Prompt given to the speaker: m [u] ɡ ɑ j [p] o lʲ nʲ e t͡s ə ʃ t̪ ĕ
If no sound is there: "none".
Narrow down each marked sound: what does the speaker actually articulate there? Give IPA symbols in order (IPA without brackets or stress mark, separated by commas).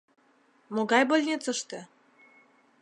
o, b